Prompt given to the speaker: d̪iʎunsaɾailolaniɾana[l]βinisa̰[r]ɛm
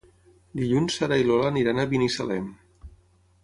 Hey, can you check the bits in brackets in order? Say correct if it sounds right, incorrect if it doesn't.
incorrect, incorrect

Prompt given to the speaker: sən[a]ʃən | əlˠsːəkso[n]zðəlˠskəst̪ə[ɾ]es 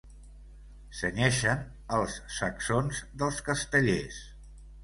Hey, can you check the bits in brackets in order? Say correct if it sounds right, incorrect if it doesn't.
incorrect, correct, incorrect

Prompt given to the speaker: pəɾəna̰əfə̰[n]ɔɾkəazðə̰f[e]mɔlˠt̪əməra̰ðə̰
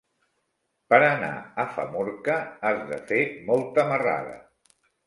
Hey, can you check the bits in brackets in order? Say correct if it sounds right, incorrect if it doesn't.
incorrect, correct

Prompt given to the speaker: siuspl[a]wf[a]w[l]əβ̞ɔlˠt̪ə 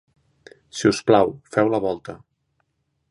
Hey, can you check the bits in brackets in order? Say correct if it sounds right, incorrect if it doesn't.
correct, incorrect, correct

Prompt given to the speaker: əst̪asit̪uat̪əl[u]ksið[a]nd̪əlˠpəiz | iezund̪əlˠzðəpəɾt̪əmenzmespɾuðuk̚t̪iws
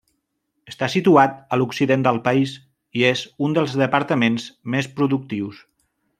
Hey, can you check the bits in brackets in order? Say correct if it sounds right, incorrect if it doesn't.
correct, incorrect

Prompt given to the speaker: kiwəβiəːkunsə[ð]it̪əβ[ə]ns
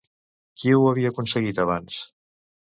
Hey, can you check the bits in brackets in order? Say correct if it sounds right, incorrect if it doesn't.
incorrect, incorrect

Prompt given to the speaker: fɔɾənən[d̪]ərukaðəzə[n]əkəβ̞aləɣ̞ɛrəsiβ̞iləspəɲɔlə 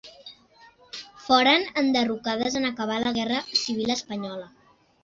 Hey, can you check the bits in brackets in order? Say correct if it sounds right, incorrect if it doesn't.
correct, correct

